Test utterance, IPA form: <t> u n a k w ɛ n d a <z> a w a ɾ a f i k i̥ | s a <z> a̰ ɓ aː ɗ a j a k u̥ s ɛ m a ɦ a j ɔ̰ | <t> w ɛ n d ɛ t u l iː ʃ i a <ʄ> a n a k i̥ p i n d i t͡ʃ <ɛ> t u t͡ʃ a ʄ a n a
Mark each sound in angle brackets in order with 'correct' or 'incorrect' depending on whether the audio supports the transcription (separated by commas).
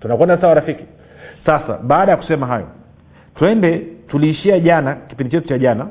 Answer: correct, incorrect, incorrect, correct, correct, correct